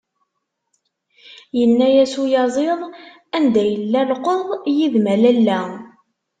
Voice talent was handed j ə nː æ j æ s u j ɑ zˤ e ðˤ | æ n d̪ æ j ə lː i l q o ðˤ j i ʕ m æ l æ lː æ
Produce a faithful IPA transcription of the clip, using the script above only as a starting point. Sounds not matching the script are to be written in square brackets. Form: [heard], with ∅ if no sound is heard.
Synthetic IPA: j ə nː æ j æ s u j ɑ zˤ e ðˤ | æ n d̪ æ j ə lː [æ] l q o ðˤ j i [ð] m æ l æ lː æ